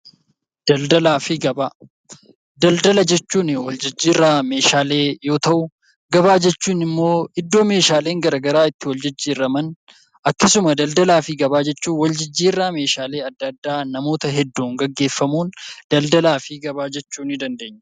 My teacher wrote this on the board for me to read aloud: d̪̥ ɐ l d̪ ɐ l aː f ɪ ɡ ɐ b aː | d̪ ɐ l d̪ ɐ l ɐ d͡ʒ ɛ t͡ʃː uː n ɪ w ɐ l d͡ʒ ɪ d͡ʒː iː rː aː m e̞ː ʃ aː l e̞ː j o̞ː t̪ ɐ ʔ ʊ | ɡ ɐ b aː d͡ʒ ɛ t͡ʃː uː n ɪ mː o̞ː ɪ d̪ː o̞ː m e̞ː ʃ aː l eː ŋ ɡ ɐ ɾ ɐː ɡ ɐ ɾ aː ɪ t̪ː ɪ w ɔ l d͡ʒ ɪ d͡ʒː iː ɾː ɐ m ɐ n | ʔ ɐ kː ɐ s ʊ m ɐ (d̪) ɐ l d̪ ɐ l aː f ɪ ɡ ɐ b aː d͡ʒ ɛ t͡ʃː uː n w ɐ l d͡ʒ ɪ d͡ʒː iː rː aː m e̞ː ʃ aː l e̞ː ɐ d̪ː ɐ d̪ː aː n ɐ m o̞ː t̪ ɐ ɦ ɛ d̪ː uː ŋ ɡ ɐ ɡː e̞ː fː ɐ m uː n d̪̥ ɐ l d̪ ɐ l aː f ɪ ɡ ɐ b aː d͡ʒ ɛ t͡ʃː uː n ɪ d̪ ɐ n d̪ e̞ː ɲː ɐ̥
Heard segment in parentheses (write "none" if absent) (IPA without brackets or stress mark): d̪